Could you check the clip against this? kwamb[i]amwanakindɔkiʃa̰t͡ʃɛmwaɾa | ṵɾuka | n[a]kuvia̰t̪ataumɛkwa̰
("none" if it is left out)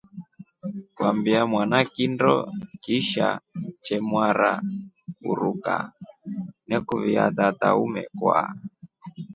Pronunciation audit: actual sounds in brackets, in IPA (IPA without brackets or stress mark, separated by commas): i, ɛ